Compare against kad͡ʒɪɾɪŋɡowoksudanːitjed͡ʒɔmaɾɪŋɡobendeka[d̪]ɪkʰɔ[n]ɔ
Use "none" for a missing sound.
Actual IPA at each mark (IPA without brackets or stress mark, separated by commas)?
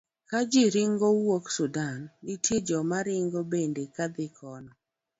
d̪, n